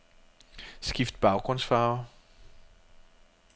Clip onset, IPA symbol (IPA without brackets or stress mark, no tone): s